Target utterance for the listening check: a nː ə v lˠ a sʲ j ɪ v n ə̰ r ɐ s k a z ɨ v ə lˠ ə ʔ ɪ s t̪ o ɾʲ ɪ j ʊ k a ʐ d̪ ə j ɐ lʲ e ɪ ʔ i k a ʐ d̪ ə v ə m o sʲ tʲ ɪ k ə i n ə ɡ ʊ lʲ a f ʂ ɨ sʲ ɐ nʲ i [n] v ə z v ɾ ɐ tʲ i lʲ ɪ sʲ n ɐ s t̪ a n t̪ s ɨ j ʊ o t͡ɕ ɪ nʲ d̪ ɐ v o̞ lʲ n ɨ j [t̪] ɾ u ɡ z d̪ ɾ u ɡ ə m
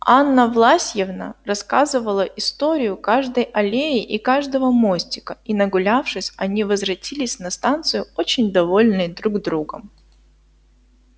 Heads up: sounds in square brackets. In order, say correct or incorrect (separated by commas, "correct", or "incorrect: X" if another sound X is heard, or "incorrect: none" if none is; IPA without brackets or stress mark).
incorrect: none, incorrect: d̪